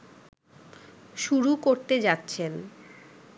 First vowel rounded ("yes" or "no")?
yes